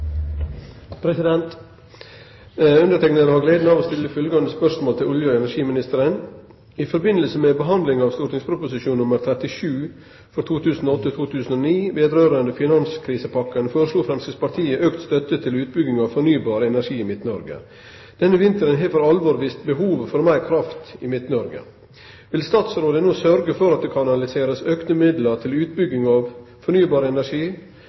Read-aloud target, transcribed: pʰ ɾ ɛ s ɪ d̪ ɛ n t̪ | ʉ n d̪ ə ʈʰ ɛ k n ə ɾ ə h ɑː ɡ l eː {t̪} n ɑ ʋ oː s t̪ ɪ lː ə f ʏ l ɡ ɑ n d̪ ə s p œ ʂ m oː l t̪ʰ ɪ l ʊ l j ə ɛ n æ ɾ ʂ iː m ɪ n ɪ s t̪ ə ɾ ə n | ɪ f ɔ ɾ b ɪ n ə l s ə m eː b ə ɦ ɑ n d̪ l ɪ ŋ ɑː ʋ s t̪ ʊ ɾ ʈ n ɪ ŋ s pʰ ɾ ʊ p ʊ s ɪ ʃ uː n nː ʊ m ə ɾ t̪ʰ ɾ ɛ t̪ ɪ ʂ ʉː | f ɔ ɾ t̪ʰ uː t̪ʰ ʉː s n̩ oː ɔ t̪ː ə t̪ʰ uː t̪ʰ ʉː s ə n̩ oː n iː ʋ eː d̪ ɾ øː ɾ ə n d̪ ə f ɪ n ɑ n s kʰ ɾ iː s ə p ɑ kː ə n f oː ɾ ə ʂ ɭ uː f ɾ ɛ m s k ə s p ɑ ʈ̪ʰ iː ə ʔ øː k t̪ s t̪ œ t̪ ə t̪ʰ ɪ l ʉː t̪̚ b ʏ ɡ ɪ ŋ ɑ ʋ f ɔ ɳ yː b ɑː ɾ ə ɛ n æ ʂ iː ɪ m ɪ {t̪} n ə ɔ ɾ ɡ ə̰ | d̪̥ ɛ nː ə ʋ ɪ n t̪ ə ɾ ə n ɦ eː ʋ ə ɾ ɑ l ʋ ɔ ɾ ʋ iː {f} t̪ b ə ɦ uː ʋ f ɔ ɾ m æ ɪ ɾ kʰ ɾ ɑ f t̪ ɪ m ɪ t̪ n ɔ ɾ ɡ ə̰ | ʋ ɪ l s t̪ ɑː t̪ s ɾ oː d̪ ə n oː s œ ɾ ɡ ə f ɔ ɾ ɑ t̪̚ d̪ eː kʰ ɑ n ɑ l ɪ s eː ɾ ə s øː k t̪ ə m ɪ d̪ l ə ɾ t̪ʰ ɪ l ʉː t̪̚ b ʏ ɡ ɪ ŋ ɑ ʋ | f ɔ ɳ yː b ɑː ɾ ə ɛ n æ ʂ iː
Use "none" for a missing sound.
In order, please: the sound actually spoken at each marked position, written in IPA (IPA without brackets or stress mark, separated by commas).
d̪, t̪, s